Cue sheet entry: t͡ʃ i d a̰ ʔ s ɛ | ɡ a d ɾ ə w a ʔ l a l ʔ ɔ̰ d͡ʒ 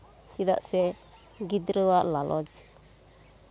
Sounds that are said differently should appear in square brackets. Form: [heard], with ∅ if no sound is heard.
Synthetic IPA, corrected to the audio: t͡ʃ i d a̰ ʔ s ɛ | ɡ [i] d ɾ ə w a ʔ l a l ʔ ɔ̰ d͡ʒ